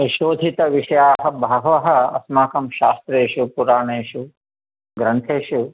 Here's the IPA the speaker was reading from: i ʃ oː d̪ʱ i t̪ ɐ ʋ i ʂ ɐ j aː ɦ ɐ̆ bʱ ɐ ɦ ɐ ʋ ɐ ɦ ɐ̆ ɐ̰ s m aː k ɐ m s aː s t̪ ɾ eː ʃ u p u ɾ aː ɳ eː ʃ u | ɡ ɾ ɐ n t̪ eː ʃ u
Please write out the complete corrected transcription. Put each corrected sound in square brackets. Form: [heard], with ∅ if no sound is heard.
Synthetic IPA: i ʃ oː d̪ʱ i t̪ ɐ ʋ i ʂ ɐ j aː ɦ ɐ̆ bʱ ɐ ɦ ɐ ʋ ɐ ɦ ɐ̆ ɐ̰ s m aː k ɐ m [ʃ] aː s t̪ ɾ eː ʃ u p u ɾ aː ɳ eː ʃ u | ɡ ɾ ɐ n [t̪ʰ] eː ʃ u